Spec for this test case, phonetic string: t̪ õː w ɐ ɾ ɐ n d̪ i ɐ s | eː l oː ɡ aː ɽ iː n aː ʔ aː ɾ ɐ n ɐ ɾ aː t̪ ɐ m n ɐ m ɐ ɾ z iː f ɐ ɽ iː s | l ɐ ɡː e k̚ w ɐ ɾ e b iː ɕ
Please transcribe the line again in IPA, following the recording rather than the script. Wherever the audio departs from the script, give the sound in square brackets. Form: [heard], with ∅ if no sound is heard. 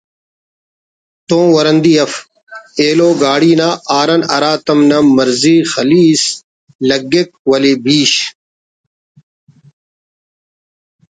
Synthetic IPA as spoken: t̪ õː w ɐ ɾ ɐ n d̪ i ɐ [f] | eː l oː ɡ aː ɽ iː n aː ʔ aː ɾ ɐ n ɐ ɾ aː t̪ ɐ m n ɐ m ɐ ɾ z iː [x] ɐ [l] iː s | l ɐ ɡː e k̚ w ɐ [l] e b iː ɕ

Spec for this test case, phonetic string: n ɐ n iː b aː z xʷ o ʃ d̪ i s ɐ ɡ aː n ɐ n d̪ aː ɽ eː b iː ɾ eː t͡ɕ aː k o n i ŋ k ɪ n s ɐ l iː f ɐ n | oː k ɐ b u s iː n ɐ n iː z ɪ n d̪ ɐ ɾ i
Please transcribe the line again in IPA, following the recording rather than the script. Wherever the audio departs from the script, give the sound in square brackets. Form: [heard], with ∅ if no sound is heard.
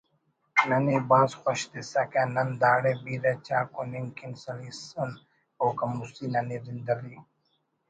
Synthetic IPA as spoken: n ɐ n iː b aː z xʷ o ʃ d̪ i s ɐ [k] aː n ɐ n d̪ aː ɽ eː b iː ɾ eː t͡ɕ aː k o n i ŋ k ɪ n s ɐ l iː [s] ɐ n | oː k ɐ [m] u s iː n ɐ n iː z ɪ n d̪ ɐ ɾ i

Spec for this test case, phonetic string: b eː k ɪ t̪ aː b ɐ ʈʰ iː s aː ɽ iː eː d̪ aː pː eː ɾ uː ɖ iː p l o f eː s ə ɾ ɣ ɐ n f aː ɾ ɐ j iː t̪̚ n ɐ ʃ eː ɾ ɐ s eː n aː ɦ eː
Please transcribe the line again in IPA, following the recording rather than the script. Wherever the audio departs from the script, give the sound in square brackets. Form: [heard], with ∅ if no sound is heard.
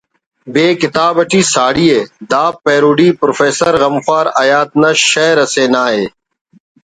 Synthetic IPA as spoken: b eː k ɪ t̪ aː b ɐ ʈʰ iː s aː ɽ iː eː d̪ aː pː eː ɾ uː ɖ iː p [ɾ] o f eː s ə ɾ ɣ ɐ [m] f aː ɾ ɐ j [aː] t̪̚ n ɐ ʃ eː ɾ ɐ s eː n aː ɦ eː

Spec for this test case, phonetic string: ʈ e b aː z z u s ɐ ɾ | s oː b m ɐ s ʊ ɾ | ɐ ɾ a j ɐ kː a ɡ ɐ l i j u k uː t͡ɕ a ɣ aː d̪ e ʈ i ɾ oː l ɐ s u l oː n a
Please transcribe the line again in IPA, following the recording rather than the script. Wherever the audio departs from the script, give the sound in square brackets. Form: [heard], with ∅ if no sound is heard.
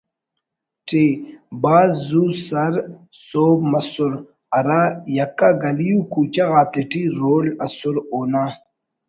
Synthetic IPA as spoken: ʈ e b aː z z u s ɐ ɾ | s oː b m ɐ s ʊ ɾ | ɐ ɾ a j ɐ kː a ɡ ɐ l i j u k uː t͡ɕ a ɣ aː [t̪] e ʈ i ɾ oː l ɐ s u [ɾ] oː n a

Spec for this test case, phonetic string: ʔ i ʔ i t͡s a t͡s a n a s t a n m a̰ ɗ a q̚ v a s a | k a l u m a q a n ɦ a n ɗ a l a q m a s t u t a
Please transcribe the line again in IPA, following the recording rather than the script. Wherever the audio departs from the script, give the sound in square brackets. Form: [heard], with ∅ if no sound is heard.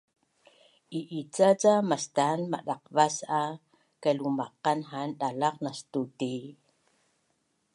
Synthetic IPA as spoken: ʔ i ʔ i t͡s a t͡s a [m] a s t a n m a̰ ɗ a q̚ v a s a | k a l u m a q a n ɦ a n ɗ a l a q [n] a s t u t [i]

